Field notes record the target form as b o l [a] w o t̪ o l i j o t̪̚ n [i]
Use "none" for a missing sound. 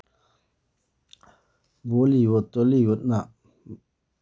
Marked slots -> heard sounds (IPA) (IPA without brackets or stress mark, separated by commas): i, a